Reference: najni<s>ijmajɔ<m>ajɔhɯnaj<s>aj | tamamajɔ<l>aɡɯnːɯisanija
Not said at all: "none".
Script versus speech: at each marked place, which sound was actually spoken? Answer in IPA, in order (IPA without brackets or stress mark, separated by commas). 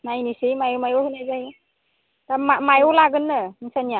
s, m, z, l